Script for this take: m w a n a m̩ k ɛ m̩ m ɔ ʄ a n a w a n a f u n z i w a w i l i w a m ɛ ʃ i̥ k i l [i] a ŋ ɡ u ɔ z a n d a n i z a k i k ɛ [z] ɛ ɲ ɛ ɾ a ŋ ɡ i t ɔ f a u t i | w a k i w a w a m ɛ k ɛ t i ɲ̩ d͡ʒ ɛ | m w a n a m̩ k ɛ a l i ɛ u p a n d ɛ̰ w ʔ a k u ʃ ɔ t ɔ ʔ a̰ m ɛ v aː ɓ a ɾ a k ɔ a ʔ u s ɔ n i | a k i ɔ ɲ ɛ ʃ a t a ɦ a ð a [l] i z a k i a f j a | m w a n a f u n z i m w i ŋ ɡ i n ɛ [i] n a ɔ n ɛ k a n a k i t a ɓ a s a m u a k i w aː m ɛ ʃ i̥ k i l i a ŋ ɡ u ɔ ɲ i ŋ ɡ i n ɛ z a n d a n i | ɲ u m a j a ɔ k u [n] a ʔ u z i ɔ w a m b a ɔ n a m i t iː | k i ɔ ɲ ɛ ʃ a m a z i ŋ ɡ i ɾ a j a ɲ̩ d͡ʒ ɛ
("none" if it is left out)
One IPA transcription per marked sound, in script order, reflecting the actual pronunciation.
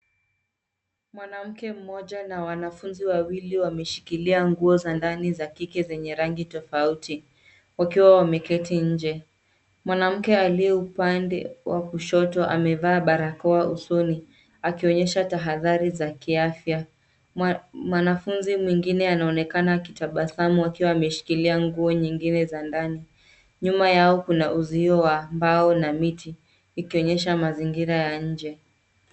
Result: i, z, ɾ, a, n

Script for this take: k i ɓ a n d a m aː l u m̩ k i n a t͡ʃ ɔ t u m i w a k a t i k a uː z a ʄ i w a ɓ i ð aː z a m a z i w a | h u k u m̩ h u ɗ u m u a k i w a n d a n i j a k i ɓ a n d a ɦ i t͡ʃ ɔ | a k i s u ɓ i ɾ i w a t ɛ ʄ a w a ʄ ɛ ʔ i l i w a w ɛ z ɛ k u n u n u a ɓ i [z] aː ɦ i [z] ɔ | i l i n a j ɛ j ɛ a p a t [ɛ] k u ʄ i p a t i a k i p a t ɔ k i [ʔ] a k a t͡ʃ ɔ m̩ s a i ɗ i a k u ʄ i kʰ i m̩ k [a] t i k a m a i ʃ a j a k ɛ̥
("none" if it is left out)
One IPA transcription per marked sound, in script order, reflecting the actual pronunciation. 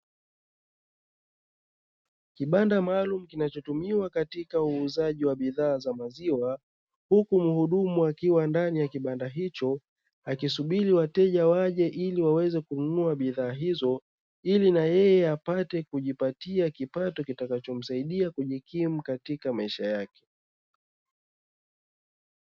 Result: ð, z, ɛ, t, a

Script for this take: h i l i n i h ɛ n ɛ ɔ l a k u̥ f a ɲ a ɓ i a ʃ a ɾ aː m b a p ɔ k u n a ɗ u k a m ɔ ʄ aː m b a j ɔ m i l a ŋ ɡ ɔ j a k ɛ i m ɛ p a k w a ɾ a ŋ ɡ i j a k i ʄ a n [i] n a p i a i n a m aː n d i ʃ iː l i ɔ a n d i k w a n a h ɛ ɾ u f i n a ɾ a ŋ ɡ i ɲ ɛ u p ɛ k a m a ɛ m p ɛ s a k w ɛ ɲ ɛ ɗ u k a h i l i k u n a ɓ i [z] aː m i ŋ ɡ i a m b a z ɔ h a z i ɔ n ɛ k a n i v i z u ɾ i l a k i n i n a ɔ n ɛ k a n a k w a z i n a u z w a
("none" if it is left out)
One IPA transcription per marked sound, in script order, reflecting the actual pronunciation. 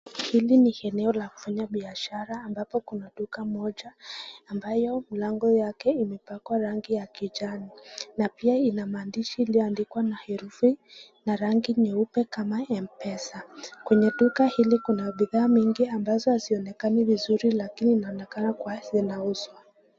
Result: i, ð

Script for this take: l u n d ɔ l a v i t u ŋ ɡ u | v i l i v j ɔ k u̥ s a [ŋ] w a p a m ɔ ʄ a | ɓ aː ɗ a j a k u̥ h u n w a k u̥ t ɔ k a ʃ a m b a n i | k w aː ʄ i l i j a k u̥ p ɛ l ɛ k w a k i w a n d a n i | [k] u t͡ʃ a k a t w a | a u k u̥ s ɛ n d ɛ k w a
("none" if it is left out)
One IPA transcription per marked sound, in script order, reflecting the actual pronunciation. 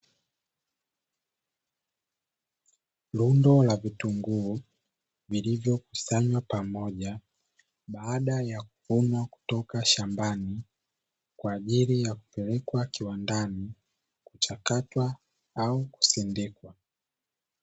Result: ɲ, k

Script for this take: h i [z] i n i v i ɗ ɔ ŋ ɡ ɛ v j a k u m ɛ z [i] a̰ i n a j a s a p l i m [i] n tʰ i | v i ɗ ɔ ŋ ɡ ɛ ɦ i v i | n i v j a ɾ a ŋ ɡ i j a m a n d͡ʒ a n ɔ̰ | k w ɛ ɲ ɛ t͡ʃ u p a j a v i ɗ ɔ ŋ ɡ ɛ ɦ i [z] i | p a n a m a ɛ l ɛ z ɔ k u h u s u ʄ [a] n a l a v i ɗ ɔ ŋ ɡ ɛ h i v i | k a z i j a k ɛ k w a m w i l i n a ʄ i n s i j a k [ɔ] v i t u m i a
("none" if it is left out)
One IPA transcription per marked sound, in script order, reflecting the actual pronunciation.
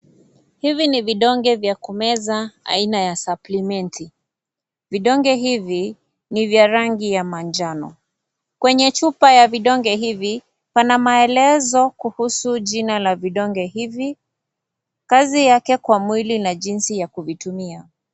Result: v, a, ɛ, v, i, u

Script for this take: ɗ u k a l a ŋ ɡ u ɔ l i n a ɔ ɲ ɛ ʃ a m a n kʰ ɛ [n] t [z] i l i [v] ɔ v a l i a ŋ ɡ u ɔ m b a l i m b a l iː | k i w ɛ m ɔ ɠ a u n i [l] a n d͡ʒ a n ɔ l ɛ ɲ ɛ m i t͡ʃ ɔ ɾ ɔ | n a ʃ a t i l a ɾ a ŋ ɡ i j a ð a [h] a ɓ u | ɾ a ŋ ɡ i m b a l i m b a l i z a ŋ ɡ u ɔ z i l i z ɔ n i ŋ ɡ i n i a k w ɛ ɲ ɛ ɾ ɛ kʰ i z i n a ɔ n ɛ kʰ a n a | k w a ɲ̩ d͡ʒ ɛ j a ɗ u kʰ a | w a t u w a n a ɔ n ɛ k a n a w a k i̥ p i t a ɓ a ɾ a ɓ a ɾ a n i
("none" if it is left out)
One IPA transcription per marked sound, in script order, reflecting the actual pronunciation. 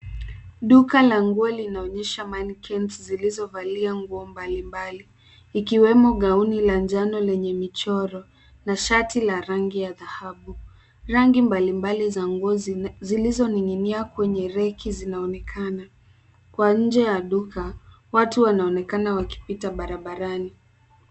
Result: n, z, z, l, h

